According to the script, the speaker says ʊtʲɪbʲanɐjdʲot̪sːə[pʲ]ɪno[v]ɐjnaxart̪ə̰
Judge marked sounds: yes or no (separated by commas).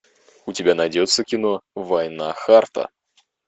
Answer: no, yes